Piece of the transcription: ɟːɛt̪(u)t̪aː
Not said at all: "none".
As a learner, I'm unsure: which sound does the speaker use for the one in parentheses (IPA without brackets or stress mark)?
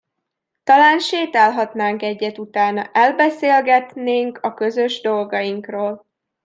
u